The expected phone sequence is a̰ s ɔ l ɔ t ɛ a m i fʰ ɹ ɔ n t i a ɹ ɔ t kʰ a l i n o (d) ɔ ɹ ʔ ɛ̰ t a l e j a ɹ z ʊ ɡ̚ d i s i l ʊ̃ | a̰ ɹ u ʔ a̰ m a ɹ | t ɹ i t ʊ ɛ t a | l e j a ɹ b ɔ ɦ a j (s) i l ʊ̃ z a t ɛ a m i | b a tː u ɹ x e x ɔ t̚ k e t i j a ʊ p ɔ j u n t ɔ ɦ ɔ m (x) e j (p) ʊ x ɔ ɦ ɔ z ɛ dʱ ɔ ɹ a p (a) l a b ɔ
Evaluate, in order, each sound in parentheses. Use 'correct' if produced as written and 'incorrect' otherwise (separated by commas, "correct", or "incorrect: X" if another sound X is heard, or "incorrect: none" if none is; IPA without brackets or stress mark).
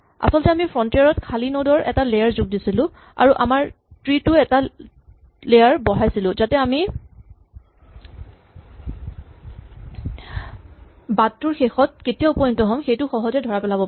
correct, correct, correct, incorrect: t, incorrect: ɛ